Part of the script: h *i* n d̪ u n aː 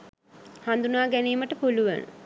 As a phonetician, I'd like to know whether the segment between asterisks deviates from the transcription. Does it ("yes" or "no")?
yes